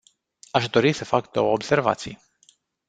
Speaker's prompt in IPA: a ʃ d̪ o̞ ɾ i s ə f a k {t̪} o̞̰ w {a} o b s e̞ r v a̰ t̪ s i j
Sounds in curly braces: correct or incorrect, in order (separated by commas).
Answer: incorrect, incorrect